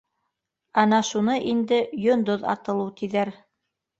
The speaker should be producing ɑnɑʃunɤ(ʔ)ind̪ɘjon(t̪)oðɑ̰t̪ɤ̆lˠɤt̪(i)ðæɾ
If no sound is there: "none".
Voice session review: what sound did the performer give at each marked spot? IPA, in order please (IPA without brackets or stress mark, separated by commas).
ʔ, d̪, i